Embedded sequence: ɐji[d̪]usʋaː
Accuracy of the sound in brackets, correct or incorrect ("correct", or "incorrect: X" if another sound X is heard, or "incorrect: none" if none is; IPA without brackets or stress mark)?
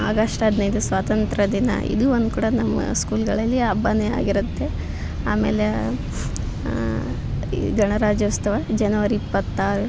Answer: correct